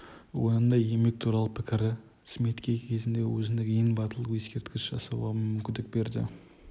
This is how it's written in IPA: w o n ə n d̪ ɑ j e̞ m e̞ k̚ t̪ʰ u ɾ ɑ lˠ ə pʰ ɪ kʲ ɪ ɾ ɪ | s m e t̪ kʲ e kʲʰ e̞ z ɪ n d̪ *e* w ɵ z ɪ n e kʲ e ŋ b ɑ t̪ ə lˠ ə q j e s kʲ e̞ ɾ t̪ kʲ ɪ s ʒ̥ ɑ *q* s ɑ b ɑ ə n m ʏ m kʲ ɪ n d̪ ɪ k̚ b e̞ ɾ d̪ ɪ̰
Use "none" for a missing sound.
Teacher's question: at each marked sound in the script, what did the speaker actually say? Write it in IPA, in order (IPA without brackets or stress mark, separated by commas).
e, none